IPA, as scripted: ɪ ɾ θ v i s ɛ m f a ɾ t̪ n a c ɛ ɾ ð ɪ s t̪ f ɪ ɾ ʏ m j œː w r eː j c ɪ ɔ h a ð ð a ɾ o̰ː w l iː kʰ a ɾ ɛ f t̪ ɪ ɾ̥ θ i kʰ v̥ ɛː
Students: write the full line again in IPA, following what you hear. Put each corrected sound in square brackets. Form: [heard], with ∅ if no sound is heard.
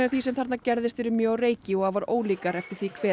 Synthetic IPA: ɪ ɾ θ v i s ɛ m [θ] a ɾ t̪ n a c ɛ ɾ ð ɪ s t̪ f ɪ ɾ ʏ m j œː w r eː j c ɪ ɔ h a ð [v] a ɾ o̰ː w l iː [k] a ɾ ɛ f t̪ ɪ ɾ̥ θ i kʰ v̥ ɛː